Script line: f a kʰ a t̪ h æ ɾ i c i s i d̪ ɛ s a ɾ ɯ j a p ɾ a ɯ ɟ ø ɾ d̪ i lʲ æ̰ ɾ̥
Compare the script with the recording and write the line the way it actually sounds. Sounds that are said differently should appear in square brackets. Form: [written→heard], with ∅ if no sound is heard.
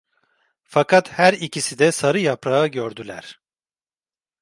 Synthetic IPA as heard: f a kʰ a t̪ h æ ɾ i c i s i d̪ ɛ s a ɾ ɯ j a p ɾ a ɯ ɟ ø ɾ d̪ [i→y] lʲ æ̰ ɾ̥